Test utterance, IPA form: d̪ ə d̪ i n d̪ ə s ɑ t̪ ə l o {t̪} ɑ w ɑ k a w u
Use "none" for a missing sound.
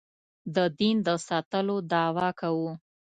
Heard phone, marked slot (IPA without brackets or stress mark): d̪